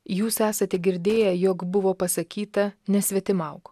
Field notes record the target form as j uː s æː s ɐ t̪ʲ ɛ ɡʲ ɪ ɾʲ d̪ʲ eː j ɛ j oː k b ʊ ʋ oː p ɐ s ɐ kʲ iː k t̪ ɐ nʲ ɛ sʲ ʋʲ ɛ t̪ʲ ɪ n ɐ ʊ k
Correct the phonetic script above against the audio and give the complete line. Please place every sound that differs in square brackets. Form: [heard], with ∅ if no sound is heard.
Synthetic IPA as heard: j uː s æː s ɐ t̪ʲ ɛ ɡʲ ɪ ɾʲ d̪ʲ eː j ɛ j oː k b ʊ ʋ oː p ɐ s ɐ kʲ iː [∅] t̪ ɐ nʲ ɛ sʲ ʋʲ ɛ t̪ʲ ɪ [m] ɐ ʊ k